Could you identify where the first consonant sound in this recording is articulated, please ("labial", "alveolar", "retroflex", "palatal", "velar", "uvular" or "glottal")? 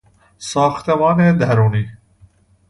alveolar